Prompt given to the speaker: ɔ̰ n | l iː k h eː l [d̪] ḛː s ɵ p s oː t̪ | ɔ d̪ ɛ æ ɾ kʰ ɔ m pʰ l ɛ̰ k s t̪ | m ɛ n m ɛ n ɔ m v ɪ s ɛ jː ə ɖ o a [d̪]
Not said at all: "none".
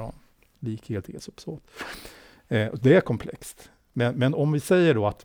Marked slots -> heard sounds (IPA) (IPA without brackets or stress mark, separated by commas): t̪, t̪